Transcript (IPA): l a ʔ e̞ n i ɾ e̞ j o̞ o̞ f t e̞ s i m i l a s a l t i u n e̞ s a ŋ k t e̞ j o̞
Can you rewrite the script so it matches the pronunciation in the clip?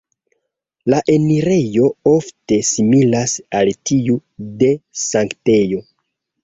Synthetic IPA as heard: l a ʔ e̞ n i ɾ e̞ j o̞ o̞ f t e̞ s i m i l a s a l t i u d e̞ s a ŋ k t e̞ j o̞